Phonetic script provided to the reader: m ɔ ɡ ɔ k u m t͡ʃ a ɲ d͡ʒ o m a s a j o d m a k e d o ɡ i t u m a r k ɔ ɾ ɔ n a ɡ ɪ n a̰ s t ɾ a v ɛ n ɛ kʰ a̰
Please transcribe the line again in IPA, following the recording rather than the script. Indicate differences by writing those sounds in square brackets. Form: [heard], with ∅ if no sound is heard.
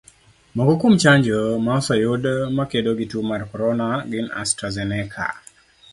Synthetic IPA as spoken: m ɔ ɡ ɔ k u m t͡ʃ a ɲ d͡ʒ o m a s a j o d m a k e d o ɡ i t u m a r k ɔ ɾ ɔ n a ɡ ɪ n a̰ s t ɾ a [z] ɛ n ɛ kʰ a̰